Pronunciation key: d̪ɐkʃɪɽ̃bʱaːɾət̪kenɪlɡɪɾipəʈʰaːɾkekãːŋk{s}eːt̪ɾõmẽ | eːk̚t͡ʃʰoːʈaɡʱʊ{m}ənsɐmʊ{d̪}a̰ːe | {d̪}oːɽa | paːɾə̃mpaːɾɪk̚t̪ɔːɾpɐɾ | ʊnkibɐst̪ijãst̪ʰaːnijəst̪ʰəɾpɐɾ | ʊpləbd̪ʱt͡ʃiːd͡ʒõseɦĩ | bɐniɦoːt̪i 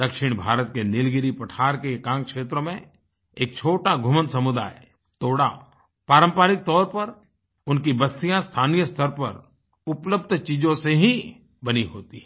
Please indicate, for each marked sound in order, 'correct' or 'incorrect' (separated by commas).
incorrect, correct, correct, incorrect